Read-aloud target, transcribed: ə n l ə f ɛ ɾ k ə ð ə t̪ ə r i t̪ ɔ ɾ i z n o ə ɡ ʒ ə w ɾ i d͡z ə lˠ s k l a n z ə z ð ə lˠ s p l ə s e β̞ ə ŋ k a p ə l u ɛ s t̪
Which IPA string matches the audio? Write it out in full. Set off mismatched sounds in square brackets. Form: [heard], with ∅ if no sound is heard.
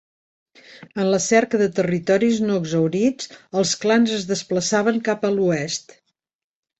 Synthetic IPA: ə n l ə [s] ɛ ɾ k ə ð ə t̪ ə r i t̪ ɔ ɾ i z n o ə ɡ [z] ə w ɾ i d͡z ə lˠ s k l a n z ə z ð ə [∅] s p l ə s [a] β̞ ə ŋ k a p ə l u ɛ s t̪